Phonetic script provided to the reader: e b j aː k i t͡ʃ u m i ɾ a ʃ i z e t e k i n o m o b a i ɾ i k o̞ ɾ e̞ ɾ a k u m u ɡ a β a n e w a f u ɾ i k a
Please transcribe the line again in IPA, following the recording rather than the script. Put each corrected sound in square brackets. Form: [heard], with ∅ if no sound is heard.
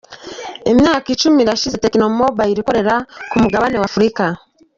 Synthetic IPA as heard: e [m] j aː k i t͡ʃ u m i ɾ a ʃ i z e t e k i n o m o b a i ɾ i k o̞ ɾ e̞ ɾ a k u m u ɡ a β a n e w a f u ɾ i k a